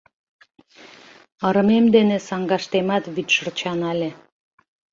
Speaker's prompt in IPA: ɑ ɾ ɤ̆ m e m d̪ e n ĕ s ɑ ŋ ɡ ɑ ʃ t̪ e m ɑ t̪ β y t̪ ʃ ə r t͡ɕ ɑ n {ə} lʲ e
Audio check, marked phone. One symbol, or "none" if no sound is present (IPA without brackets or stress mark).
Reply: ɑ